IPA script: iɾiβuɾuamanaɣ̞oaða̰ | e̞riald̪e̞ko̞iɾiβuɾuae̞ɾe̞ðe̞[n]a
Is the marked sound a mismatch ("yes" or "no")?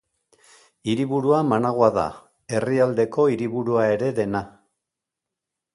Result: no